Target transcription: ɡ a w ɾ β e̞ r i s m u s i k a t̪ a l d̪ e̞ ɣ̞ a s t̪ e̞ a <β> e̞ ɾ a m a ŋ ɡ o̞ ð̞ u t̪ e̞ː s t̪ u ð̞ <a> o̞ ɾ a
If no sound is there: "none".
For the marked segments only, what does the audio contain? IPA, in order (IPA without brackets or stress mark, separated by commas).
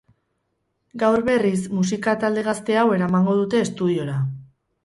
w, i